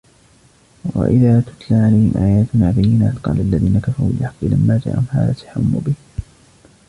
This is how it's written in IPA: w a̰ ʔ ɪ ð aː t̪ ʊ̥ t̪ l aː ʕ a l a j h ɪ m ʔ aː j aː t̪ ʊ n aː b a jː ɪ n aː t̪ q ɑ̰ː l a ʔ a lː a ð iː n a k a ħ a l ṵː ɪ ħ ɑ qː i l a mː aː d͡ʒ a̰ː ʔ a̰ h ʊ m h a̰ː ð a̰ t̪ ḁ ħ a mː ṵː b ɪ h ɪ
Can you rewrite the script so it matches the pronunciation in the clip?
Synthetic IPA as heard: w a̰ ʔ ɪ ð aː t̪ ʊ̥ t̪ l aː ʕ a l a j h ɪ m ʔ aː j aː t̪ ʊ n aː b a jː ɪ n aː t̪ q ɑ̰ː l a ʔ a lː a ð iː n a k a f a ɾ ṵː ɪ ħ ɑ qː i l a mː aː d͡ʒ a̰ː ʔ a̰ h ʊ m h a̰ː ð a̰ t̪ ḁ ħ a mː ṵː b ɪ h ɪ

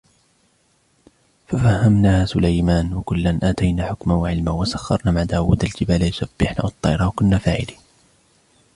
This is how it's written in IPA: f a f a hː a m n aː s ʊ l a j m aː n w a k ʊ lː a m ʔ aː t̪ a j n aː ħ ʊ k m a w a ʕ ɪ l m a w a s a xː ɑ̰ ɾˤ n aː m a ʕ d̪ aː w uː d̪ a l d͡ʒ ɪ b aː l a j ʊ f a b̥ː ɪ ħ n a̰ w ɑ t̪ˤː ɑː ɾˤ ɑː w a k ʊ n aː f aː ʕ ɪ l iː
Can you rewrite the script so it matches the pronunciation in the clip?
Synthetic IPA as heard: f a f a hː a m n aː s ʊ l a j m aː n w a k ʊ lː a n ʔ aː t̪ a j n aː ħ ʊ k m a w a ʕ ɪ l m a w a s a xː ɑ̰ ɾˤ n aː m a ʕ d̪ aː w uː d̪ a l d͡ʒ ɪ b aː l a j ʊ s a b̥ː ɪ ħ n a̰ w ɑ t̪ˤː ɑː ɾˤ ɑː w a k ʊ nː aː f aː ʕ ɪ l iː

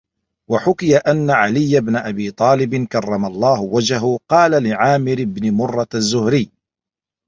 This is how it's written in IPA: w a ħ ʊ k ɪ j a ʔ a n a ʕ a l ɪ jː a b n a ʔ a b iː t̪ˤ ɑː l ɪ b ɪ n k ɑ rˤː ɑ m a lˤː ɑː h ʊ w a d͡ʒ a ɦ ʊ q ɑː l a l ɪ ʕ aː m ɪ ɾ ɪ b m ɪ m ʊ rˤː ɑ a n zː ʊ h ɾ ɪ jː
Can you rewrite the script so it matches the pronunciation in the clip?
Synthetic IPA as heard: w a ħ ʊ k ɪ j a ʔ a nː a ʕ a l ɪ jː a b n a ʔ a b iː t̪ˤ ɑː l ɪ b ɪ n k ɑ rˤː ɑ m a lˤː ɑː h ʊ w a d͡ʒ a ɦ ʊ q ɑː l a l ɪ ʕ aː m ɪ ɾ ɪ b n ɪ m ʊ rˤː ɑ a zː ʊ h ɾ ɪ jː

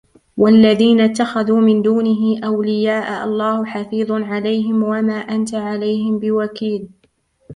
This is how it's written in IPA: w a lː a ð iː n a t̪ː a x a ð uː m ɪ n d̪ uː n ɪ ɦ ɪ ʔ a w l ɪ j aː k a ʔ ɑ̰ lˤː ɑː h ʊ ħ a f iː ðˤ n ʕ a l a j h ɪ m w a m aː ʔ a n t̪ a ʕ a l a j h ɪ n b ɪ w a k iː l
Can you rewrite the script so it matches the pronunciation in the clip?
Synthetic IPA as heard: w a lː a ð iː n a t̪ː a x a ð uː m ɪ n d̪ uː n ɪ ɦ ɪ ʔ a w l ɪ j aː ʔ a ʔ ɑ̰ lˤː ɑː h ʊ ħ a f iː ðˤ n ʕ a l a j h ɪ m w a m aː ʔ a n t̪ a ʕ a l a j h ɪ m b ɪ w a k iː l

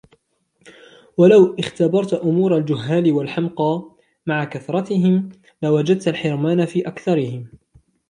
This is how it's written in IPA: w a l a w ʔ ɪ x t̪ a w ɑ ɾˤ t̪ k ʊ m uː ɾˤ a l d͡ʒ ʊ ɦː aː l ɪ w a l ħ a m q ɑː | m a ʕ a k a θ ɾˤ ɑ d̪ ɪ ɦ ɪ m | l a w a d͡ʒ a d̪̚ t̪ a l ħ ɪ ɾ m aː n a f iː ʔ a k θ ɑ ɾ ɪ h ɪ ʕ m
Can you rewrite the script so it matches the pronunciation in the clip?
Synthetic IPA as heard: w a l a w ʔ ɪ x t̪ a b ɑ ɾˤ t̪ ʔ ʊ m uː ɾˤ a l d͡ʒ ʊ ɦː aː l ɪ w a l ħ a m q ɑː | m a ʕ a k a θ ɾˤ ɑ t̪ ɪ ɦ ɪ m | l a w a d͡ʒ a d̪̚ t̪ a l ħ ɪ ɾ m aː n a f iː ʔ a k θ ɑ ɾ ɪ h ɪ m

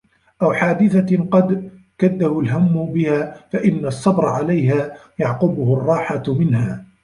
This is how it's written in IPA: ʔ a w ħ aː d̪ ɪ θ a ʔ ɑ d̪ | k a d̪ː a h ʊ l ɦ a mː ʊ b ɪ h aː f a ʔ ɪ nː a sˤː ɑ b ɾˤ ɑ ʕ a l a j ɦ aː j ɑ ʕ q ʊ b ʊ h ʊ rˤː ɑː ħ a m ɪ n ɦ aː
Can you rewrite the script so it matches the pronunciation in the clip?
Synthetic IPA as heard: ʔ a w ħ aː d̪ ɪ θ a q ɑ d̪ | k a d̪ː a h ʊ l ɦ a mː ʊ b ɪ h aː f a ʔ ɪ nː a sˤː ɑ b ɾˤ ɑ ʕ a l a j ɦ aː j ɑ ʕ q ʊ b ʊ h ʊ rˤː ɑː ħ a m ɪ n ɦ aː

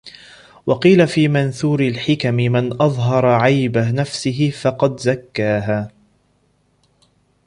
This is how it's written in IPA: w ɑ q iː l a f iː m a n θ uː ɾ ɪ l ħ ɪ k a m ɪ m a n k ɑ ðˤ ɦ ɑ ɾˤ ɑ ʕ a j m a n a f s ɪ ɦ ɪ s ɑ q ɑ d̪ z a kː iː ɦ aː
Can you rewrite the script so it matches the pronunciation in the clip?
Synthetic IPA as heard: w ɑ q iː l a f iː m a n θ uː ɾ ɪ l ħ ɪ k a m ɪ m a n ʔ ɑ ðˤ ɦ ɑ ɾˤ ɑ ʕ a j b a n a f s ɪ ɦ ɪ f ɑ q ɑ d̪ z a kː aː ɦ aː

